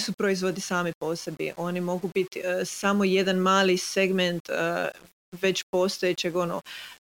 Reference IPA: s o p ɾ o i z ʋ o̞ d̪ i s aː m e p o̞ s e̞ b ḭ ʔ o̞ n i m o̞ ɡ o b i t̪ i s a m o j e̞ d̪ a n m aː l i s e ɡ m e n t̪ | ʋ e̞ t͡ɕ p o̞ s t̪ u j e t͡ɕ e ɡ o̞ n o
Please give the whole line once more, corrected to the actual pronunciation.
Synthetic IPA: s u p ɾ o i z ʋ o̞ d̪ i s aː m i p o̞ s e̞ b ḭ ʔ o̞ n i m o̞ ɡ u b i t̪ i s a m o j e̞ d̪ a n m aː l i s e ɡ m e n t̪ | ʋ e̞ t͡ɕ p o̞ s t̪ o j e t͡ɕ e ɡ o̞ n o